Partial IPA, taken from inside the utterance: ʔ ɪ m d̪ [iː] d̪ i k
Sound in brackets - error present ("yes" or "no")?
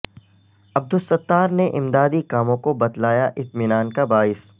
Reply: yes